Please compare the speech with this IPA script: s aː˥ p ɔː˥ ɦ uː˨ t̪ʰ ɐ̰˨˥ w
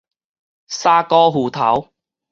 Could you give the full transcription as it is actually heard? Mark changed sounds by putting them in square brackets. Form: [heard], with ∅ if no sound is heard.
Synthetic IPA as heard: s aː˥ [k] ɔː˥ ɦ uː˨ t̪ʰ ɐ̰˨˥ w